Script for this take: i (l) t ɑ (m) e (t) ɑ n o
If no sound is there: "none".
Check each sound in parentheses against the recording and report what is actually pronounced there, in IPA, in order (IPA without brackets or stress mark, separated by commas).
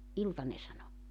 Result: l, n, s